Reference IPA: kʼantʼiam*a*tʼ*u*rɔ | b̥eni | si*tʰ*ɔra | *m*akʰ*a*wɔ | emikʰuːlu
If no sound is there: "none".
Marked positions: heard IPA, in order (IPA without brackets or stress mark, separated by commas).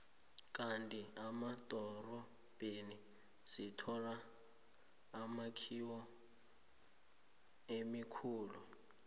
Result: a, ɔ, tʰ, m, i